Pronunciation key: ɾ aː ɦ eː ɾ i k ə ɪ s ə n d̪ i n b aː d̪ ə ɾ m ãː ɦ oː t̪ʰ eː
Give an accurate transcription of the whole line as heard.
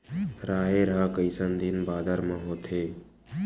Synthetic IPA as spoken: ɾ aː ɦ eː ɾ a k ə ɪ s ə n d̪ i n b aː d̪ ə ɾ m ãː ɦ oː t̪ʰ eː